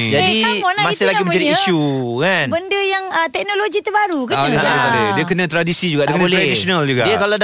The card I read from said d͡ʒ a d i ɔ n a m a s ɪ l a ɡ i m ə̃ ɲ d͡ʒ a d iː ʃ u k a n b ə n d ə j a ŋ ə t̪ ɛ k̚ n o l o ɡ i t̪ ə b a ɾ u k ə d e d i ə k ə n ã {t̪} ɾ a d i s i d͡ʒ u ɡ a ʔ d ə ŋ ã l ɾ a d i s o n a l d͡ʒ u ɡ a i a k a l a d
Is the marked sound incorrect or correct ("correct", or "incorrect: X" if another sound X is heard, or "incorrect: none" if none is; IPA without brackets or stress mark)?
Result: correct